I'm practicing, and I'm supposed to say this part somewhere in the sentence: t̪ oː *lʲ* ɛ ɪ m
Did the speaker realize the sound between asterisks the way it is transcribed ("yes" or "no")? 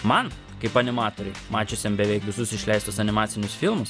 no